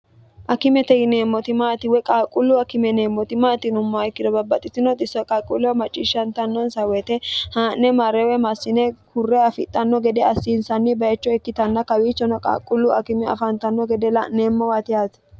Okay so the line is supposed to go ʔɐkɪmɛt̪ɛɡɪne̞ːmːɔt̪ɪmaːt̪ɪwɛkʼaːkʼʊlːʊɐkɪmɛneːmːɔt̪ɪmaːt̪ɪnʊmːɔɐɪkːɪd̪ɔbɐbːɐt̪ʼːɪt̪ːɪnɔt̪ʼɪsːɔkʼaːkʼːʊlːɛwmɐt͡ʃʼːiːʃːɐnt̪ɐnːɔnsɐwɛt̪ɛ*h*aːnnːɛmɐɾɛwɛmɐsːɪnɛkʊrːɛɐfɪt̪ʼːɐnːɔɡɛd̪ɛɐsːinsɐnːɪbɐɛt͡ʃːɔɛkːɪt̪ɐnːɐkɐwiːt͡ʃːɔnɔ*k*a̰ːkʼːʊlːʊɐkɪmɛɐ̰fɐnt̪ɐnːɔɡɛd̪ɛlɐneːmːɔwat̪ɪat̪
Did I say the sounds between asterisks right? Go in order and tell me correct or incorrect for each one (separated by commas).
correct, incorrect